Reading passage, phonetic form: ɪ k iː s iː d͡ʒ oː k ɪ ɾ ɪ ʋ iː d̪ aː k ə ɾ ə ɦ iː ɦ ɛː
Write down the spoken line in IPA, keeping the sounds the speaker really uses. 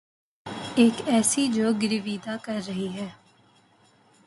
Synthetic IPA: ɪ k ɛː s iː d͡ʒ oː ɡ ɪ ɾ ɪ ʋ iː d̪ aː k ə ɾː ə ɦ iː ɦ ɛː